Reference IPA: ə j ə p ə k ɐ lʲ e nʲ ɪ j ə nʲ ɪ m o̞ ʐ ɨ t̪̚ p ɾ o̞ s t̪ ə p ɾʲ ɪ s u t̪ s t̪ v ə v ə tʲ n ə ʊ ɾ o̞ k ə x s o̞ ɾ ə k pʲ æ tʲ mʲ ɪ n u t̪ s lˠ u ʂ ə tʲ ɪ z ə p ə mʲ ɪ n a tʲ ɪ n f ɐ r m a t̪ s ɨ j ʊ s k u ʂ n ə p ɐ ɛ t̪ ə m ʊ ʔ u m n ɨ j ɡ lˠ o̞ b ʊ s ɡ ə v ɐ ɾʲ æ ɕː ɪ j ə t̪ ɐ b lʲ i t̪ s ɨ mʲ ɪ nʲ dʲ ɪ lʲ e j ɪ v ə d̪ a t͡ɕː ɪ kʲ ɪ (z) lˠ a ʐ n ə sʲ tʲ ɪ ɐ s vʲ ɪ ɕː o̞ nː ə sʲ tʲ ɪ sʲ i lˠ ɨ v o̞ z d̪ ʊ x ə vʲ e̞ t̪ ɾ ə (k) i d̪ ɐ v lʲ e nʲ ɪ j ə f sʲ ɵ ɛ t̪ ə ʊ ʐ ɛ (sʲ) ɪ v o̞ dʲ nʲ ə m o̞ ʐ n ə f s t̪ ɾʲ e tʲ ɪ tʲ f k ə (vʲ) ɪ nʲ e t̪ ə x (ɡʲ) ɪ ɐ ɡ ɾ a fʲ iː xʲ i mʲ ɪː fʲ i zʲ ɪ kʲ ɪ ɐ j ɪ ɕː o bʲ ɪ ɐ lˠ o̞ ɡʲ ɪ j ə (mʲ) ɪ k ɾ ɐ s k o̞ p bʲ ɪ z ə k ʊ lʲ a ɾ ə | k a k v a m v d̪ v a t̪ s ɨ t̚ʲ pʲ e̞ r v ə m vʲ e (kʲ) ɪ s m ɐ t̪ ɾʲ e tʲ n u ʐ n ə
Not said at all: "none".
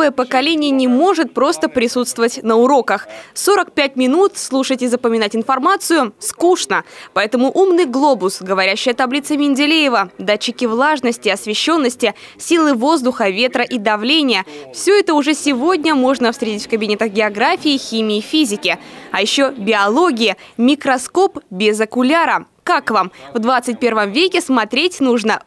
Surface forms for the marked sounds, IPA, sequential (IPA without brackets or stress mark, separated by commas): v, ʔ, sʲ, bʲ, ɡʲ, mʲ, kʲ